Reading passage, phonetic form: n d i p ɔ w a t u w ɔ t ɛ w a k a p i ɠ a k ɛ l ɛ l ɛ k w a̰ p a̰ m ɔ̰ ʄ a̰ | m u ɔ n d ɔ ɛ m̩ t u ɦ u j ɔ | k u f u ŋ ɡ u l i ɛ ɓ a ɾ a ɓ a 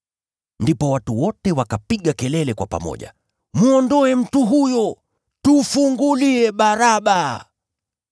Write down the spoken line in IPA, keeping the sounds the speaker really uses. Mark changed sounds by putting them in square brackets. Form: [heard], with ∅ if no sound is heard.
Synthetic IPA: n d i p ɔ w a t u w ɔ t ɛ w a k a p i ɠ a k ɛ l ɛ l ɛ k w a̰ p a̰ m ɔ̰ ʄ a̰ | m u ɔ n d ɔ ɛ m̩ t u ɦ u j ɔ | [t] u f u ŋ ɡ u l i ɛ ɓ a ɾ a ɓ a